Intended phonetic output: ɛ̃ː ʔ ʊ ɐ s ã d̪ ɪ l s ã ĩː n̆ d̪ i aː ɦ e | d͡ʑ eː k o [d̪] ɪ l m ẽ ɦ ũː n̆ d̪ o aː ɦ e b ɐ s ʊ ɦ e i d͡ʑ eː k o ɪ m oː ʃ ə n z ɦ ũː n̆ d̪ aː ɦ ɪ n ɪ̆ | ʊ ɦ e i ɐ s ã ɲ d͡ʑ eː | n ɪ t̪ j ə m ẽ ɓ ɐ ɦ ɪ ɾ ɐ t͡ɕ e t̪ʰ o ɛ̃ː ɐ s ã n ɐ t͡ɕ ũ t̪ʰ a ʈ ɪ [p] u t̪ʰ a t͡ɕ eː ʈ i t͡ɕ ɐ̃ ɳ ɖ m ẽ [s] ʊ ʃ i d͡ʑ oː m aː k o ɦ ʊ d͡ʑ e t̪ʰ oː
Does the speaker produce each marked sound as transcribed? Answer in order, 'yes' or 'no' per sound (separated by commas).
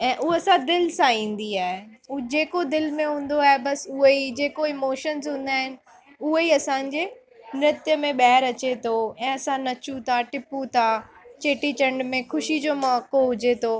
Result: yes, yes, no